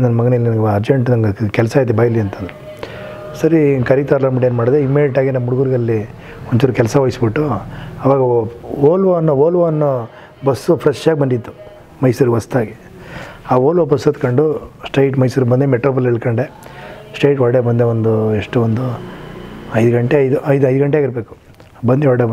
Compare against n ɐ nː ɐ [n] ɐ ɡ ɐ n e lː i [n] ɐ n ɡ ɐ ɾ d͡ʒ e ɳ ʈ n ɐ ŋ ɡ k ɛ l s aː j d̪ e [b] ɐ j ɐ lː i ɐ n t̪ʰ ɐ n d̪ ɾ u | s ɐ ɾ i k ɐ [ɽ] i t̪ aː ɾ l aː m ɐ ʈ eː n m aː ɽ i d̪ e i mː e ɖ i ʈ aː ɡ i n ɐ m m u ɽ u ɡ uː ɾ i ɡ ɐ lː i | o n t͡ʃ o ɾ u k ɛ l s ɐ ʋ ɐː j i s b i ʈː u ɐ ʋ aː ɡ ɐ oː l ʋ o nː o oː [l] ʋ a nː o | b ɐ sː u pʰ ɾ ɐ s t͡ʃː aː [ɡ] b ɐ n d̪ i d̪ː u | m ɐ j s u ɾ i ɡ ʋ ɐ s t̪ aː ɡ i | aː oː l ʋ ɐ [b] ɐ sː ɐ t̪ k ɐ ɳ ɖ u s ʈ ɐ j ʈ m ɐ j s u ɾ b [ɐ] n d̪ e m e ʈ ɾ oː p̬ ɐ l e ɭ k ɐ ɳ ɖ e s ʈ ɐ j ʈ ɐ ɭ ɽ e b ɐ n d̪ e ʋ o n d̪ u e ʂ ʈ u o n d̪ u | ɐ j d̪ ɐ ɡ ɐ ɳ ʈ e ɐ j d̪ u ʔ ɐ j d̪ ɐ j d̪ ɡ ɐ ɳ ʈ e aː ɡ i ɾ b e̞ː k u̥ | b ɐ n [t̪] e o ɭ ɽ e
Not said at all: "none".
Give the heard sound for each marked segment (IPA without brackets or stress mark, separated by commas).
m, n, b, ɾ, l, ɡ, b, ɐ, d̪